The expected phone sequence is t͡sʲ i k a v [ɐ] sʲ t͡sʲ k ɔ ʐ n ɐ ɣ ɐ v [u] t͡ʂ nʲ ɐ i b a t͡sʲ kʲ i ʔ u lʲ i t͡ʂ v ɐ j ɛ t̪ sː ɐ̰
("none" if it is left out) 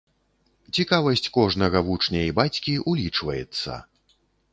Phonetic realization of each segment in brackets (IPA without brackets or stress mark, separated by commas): ɐ, u